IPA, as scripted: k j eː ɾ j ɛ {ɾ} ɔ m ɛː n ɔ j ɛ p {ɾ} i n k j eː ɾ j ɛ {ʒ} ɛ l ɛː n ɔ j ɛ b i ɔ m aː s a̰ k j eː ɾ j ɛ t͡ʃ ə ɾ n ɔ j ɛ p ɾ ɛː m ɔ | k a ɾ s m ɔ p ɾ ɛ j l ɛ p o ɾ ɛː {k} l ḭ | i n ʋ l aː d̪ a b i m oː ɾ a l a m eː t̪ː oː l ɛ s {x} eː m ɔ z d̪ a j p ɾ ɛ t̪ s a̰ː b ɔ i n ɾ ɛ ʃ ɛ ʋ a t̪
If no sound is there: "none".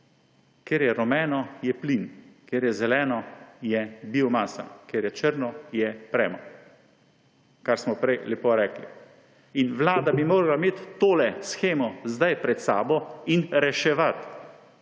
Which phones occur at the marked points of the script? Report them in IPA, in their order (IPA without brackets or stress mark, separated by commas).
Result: ɾ, l, z, k, x